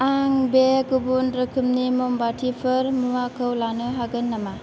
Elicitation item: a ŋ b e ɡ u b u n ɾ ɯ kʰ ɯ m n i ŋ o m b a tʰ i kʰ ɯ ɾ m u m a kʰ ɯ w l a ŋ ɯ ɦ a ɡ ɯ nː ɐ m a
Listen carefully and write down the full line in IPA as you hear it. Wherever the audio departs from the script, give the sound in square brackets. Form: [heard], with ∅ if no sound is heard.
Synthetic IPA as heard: a ŋ b e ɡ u b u n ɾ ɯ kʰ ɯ m n i [m] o m b a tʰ i [pʰ] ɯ ɾ m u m a kʰ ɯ w l a [n] ɯ ɦ a ɡ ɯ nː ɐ m a